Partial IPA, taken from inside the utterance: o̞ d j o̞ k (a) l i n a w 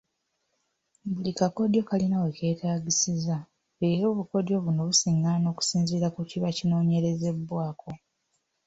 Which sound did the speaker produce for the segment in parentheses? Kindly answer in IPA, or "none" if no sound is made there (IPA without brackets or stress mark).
a